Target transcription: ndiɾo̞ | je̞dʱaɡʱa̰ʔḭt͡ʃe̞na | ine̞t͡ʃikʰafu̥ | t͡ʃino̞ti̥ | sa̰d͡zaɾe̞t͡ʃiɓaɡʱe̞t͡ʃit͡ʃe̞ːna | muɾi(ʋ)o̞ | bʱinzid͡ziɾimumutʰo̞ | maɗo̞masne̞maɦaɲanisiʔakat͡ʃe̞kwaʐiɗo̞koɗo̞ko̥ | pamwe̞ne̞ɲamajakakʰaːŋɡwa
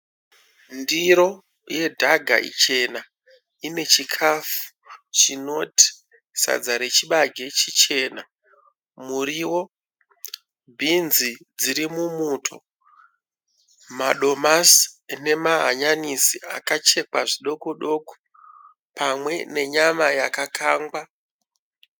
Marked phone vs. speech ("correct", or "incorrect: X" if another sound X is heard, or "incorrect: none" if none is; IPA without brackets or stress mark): incorrect: w